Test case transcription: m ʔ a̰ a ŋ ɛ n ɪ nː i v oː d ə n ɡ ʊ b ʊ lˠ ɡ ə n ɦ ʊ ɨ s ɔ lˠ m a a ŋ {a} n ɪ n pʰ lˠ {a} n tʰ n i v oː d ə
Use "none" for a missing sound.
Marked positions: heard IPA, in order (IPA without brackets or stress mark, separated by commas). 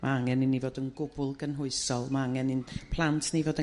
ɛ, a